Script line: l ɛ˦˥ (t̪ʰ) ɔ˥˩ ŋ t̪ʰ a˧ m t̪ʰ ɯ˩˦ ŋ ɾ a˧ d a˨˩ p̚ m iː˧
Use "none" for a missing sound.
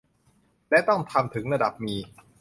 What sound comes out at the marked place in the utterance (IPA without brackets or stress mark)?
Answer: t̪